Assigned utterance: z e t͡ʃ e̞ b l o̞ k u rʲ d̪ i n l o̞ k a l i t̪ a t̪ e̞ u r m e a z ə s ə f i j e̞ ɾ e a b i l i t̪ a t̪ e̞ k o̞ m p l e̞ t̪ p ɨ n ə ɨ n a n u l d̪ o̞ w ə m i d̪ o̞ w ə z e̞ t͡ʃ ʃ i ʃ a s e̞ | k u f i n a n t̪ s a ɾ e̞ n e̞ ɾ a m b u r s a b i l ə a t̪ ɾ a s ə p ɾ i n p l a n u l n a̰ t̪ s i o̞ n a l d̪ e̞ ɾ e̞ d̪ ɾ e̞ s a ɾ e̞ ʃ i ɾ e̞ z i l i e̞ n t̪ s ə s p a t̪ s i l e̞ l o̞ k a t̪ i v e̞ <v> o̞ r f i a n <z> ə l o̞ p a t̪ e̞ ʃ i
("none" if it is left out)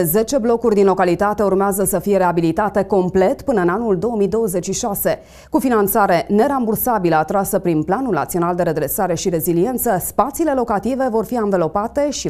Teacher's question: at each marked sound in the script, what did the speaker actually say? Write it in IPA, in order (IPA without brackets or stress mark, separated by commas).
v, v